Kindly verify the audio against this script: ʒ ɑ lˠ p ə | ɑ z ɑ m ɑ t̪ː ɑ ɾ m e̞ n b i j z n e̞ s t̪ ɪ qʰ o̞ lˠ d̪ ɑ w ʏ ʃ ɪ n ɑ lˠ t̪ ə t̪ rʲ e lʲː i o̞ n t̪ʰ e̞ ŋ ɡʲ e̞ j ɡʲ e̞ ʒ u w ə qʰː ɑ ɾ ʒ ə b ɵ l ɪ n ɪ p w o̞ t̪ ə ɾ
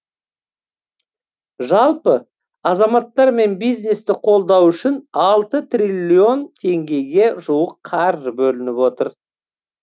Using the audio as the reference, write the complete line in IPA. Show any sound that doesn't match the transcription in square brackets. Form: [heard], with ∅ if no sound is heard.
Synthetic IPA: ʒ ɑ lˠ p ə | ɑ z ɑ m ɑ t̪ː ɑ ɾ m e̞ n b i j z n e̞ s t̪ ɪ qʰ o̞ lˠ d̪ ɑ w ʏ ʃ ɪ n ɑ lˠ t̪ ə t̪ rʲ [i] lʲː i o̞ n t̪ʰ e̞ ŋ ɡʲ e̞ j ɡʲ e̞ ʒ u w ə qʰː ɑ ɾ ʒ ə b ɵ l ɪ n ɪ p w o̞ t̪ ə ɾ

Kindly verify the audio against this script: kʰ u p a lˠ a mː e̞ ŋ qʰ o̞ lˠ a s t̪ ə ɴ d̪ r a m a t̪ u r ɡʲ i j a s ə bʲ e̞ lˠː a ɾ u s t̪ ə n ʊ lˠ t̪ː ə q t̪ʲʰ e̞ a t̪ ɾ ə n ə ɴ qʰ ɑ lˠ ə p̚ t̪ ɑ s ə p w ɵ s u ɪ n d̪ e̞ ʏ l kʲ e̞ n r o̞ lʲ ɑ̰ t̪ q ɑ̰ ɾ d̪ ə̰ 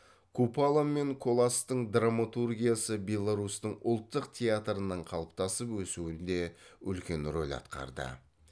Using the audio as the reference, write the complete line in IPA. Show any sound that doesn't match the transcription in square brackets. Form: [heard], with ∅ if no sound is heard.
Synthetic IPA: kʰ u p a lˠ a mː e̞ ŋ [kʰ] o̞ lˠ a s t̪ ə ɴ d̪ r a m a t̪ u r ɡʲ i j a s ə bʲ e̞ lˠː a ɾ u s t̪ ə [ɴ] ʊ lˠ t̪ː ə q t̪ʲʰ e̞ a t̪ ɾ ə n ə ɴ qʰ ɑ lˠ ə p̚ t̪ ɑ s ə p w ɵ s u ɪ n d̪ e̞ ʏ l kʲ e̞ n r o̞ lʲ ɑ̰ t̪ q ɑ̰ ɾ d̪ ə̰

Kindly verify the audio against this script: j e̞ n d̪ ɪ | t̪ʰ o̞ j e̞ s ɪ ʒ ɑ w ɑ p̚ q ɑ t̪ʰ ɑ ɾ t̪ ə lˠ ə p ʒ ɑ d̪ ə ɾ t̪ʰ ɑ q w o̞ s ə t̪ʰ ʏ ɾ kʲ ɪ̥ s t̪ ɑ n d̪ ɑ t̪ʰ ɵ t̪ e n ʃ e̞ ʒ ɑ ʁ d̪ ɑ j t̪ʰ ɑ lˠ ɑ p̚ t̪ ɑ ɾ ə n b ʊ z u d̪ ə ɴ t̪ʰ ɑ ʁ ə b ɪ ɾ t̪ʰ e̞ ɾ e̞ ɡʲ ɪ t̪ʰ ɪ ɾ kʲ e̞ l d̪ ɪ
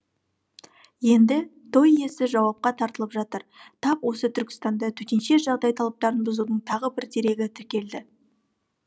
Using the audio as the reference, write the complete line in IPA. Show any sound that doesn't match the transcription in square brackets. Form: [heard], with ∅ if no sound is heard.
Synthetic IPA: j e̞ n d̪ ɪ | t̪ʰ o̞ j e̞ s ɪ ʒ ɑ w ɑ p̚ q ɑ t̪ʰ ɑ ɾ t̪ ə lˠ ə p ʒ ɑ [t̪] ə ɾ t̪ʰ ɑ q w o̞ s ə t̪ʰ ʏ ɾ kʲ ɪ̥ s t̪ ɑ n d̪ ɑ t̪ʰ ɵ t̪ e n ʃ e̞ ʒ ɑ ʁ d̪ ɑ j t̪ʰ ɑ lˠ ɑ p̚ t̪ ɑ ɾ ə n b ʊ z u d̪ ə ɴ t̪ʰ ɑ ʁ ə b ɪ ɾ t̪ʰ e̞ ɾ e̞ ɡʲ ɪ t̪ʰ ɪ ɾ kʲ e̞ l d̪ ɪ

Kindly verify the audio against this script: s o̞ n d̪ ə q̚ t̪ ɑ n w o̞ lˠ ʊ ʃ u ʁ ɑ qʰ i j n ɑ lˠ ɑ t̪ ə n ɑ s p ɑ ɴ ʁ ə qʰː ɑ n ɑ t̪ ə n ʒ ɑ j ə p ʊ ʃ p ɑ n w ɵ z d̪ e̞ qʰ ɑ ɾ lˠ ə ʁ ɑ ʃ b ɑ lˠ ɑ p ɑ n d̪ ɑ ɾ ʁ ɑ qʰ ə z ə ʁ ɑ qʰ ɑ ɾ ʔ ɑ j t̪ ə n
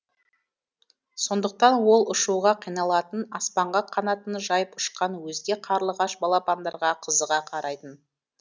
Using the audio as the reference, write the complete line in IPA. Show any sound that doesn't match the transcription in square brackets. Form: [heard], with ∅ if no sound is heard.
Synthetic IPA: s o̞ n d̪ ə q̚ t̪ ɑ n w o̞ lˠ ʊ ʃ u ʁ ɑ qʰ i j n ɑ lˠ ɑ t̪ ə n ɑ s p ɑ ɴ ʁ [ɑ] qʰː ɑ n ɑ t̪ ə n ʒ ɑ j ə p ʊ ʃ [q] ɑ n w ɵ z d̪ e̞ qʰ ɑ ɾ lˠ ə ʁ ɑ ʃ b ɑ lˠ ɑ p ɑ n d̪ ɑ ɾ ʁ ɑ qʰ ə z ə ʁ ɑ qʰ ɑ ɾ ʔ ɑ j t̪ ə n

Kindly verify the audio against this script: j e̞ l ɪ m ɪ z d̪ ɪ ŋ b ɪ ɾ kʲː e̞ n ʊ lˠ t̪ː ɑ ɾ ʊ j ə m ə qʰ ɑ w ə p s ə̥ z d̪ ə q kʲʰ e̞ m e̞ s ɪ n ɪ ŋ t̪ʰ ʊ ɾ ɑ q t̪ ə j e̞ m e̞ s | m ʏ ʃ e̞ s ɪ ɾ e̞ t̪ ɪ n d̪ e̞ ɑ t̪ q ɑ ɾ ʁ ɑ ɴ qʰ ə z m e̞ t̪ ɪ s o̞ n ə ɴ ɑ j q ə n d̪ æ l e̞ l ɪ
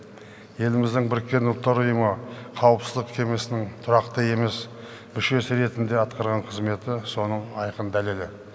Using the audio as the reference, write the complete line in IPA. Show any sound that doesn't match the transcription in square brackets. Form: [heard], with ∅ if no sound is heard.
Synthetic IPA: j e̞ l ɪ m ɪ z d̪ ɪ ŋ b ɪ ɾ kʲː e̞ n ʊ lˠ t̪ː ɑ ɾ ʊ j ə m ə qʰ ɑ w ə p s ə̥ z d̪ ə q kʲʰ e̞ m e̞ s ɪ n ɪ ŋ t̪ʰ ʊ ɾ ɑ q t̪ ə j e̞ m e̞ s | m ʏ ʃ e̞ s ɪ ɾ e̞ t̪ ɪ n d̪ e̞ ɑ t̪ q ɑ ɾ ʁ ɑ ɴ qʰ ə z m e̞ t̪ ɪ s o̞ n ə ɴ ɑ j q ə n d̪ æ l e̞ l ɪ

